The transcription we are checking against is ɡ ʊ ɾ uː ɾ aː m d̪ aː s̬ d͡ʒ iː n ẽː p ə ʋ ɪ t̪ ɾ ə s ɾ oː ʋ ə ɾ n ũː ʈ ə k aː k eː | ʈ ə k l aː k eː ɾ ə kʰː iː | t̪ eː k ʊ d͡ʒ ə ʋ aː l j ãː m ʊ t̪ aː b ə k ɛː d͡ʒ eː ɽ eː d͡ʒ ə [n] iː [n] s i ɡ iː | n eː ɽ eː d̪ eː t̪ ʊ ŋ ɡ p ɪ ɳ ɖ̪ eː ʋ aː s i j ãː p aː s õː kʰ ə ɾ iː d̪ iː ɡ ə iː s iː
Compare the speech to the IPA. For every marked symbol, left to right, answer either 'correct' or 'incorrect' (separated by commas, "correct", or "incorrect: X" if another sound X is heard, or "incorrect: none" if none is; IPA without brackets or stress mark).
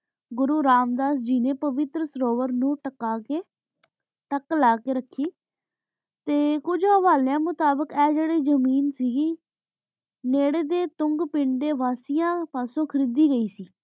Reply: incorrect: m, correct